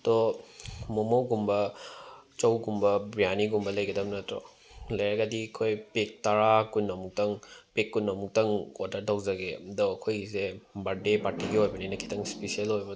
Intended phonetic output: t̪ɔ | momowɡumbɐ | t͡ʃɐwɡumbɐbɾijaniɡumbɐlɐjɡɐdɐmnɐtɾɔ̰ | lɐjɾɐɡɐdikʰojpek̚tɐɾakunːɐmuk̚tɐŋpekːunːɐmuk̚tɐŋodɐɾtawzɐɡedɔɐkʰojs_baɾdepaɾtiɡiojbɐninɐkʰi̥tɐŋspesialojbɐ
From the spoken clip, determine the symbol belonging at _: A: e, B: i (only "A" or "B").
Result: A